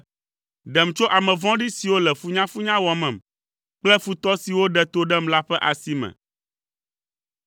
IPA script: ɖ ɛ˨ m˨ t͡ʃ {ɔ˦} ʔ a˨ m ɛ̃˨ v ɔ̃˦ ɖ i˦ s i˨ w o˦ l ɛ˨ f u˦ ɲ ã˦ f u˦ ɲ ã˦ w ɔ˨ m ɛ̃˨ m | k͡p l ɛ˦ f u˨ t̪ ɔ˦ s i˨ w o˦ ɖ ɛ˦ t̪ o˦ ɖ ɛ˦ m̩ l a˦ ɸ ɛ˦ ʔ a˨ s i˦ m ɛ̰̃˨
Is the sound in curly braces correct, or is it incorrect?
incorrect